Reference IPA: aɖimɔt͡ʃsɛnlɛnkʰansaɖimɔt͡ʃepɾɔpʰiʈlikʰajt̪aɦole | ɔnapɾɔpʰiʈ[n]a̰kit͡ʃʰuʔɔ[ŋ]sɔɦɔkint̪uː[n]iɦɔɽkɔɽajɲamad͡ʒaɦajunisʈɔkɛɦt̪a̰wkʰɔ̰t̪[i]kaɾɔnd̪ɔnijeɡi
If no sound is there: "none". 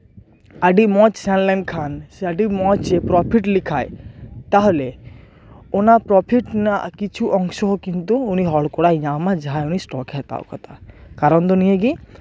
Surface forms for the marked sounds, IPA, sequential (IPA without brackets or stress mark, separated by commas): n, ŋ, n, a